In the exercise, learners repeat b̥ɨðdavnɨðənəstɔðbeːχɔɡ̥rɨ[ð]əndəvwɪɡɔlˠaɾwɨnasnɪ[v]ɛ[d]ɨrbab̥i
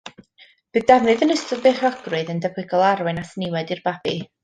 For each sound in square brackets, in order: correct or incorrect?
correct, incorrect, correct

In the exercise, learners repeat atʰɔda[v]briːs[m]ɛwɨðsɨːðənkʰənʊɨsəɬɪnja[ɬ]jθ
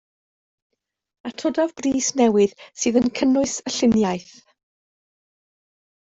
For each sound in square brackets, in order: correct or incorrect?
correct, incorrect, incorrect

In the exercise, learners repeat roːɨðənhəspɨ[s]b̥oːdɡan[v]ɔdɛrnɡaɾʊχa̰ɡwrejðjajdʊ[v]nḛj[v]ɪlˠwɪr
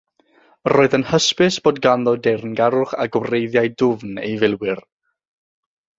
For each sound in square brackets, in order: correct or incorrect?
correct, incorrect, correct, correct

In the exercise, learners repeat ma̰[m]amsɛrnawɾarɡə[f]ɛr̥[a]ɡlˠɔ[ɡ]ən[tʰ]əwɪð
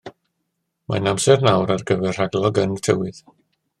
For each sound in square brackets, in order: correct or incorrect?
incorrect, incorrect, correct, correct, correct

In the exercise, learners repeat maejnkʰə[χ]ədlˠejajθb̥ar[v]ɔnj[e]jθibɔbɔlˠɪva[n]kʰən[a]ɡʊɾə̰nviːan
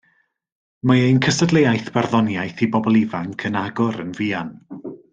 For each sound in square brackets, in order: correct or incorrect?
incorrect, incorrect, incorrect, incorrect, correct

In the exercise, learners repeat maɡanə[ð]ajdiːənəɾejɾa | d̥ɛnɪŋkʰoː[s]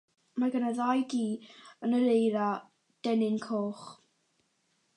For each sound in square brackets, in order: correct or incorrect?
correct, incorrect

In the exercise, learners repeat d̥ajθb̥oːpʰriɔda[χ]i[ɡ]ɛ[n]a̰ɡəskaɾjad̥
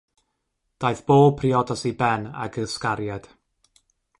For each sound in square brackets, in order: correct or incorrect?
incorrect, incorrect, correct

